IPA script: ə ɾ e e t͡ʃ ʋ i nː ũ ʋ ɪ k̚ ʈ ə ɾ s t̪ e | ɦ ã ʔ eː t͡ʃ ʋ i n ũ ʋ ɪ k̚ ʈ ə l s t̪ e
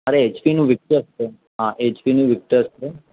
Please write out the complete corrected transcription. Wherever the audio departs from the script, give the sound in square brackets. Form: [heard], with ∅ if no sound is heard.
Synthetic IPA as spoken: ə ɾ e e t͡ʃ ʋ i [n] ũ ʋ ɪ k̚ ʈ ə ɾ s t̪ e | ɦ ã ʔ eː t͡ʃ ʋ i n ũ ʋ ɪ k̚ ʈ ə [ɾ] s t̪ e